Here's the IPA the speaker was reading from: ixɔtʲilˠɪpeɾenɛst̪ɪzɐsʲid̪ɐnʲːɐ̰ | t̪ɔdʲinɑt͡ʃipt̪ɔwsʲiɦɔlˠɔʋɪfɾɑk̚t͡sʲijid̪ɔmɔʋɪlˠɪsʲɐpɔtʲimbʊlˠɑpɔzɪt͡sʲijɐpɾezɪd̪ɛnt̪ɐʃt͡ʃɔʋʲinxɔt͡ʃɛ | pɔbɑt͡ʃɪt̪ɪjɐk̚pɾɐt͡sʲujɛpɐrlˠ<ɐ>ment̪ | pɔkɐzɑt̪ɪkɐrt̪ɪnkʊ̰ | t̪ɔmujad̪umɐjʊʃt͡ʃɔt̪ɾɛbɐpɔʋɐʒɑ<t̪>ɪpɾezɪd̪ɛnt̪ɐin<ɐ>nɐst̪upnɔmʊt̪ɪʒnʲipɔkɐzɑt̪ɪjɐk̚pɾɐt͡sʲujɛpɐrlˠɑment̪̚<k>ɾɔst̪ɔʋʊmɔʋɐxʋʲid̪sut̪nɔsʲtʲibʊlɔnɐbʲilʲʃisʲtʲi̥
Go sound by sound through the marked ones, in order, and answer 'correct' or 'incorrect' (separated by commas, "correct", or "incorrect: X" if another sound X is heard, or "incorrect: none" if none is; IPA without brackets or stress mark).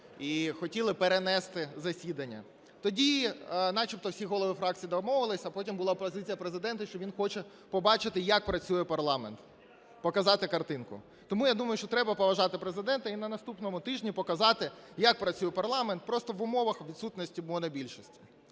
incorrect: ɑ, correct, correct, incorrect: p